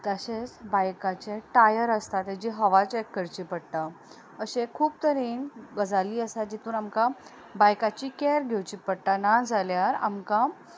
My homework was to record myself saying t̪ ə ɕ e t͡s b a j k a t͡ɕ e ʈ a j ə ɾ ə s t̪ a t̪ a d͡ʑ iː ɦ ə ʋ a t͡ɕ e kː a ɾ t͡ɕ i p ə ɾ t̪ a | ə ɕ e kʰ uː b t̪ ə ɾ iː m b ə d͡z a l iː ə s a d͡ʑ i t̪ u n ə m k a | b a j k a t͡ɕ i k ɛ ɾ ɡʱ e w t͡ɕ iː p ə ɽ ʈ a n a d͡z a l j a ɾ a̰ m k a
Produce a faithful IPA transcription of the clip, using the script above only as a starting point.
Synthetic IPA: t̪ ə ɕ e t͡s b a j k a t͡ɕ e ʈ a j ə ɾ ə s t̪ a t̪ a d͡ʑ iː ɦ ə ʋ a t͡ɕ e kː ə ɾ t͡ɕ i p ə ɽ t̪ a | ə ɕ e kʰ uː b t̪ ə ɾ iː n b ə d͡z a l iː ə s a d͡ʑ i t̪ uː n a m k a | b a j k a t͡ɕ i k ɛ ɾ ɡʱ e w t͡ɕ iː p ə ɽ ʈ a n a d͡z a l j a ɾ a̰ m k a